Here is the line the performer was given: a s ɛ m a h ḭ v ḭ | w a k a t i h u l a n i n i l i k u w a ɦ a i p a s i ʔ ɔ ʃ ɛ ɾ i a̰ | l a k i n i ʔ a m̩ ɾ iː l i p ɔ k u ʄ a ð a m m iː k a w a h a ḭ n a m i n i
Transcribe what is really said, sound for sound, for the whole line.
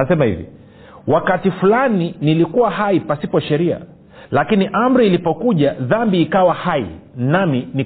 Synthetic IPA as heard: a s ɛ m a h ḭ v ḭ | w a k a t i f u l a n i n i l i k u w a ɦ a i p a s i p ɔ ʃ ɛ ɾ i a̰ | l a k i n i ʔ a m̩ ɾ iː l i p ɔ k u ʄ a ð a m b iː k a w a h a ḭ n a m i n i